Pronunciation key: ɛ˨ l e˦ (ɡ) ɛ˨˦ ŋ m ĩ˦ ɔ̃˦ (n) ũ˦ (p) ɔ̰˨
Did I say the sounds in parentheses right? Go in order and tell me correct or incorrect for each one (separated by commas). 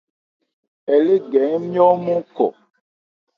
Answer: correct, incorrect, incorrect